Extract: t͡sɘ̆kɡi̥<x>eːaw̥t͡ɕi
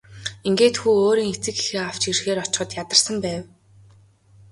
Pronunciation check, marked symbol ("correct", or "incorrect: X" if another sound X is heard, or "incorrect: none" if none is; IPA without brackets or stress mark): correct